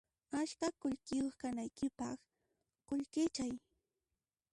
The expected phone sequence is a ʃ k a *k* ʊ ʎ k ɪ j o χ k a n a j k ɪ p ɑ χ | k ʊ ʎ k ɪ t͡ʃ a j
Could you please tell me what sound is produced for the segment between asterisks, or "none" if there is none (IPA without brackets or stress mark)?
k